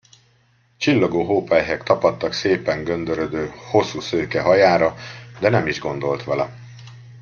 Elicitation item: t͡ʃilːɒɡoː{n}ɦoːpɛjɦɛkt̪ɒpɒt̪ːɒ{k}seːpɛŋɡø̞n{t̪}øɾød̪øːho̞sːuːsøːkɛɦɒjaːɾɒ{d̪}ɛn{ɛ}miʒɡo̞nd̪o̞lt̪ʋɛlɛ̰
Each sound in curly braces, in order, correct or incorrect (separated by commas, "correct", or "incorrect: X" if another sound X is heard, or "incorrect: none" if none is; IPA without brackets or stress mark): incorrect: none, correct, incorrect: d̪, correct, correct